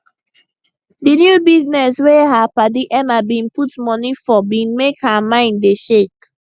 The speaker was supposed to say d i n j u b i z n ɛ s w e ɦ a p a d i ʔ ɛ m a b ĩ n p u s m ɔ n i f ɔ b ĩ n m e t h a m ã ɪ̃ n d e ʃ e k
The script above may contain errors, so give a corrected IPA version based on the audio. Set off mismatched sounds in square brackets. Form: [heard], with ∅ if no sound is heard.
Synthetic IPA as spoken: d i n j u b i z n ɛ s w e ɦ a p a d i ʔ ɛ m a b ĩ n p u [t] m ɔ n i f ɔ b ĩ n m e [k] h a m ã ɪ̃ n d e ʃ e k